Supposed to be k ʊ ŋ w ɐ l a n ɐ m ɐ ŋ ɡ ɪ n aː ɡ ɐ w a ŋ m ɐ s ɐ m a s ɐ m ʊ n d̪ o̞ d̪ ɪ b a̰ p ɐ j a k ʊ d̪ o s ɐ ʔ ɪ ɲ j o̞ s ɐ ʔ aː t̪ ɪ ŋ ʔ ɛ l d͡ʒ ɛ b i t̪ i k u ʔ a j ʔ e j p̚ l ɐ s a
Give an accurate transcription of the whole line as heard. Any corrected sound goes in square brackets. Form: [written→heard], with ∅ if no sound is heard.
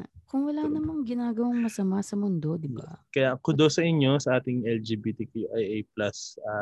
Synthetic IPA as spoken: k ʊ ŋ w ɐ l a n ɐ m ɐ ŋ ɡ ɪ n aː ɡ ɐ w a ŋ m ɐ s ɐ m a s ɐ m ʊ n d̪ o̞ d̪ ɪ b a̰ [p→k] ɐ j a k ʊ d̪ o s ɐ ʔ ɪ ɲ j o̞ s ɐ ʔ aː t̪ ɪ ŋ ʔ ɛ l d͡ʒ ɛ b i t̪ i k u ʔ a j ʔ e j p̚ l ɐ s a